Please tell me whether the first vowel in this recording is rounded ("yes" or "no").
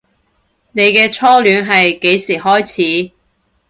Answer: no